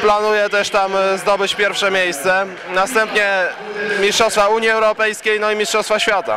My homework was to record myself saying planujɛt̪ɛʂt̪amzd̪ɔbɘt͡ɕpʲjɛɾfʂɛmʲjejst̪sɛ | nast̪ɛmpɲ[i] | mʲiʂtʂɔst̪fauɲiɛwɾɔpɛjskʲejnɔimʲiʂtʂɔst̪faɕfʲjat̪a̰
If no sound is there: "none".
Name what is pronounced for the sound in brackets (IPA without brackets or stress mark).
ɛ